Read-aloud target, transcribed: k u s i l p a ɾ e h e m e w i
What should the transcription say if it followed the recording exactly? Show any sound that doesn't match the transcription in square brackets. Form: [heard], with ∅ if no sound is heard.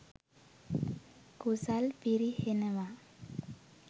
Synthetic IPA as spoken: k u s [a] l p [i] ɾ [i] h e [n] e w [a]